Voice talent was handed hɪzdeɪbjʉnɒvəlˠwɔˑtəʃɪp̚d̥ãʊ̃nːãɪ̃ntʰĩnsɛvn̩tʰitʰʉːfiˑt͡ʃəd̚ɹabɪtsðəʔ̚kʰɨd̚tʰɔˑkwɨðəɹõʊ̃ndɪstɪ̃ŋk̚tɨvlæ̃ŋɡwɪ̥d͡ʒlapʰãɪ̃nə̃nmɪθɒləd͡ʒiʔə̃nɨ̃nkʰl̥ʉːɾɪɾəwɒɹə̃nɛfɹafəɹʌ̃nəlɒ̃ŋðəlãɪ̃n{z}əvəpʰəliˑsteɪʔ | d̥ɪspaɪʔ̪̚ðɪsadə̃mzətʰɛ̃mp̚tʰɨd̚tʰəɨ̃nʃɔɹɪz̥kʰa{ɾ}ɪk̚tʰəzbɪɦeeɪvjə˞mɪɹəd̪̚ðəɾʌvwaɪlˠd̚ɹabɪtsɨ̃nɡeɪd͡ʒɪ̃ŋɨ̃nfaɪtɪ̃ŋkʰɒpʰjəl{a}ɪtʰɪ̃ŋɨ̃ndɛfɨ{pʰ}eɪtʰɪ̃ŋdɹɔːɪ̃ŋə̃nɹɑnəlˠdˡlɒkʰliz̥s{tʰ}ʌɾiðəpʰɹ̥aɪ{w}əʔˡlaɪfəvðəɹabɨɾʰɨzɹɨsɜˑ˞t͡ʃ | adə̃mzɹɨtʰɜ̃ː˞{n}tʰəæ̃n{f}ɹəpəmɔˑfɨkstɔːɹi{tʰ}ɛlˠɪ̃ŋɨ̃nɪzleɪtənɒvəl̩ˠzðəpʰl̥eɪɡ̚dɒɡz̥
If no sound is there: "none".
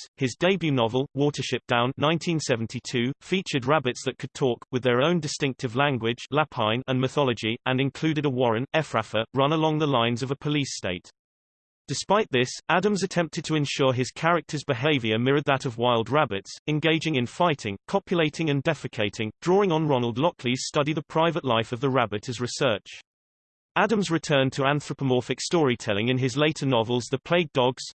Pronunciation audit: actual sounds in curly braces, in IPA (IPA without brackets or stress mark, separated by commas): z, ɹ, e, kʰ, t, v, n, θ, tʰ